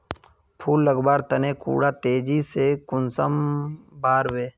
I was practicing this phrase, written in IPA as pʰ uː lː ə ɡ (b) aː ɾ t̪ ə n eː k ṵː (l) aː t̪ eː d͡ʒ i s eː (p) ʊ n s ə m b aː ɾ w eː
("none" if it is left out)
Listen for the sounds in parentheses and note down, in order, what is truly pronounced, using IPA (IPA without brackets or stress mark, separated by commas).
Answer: b, ɽ, k